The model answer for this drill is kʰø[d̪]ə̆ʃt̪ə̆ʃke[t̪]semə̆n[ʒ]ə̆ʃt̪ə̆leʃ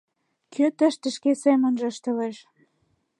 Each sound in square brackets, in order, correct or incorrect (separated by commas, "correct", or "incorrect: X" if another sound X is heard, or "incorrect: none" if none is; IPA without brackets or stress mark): incorrect: t̪, incorrect: none, correct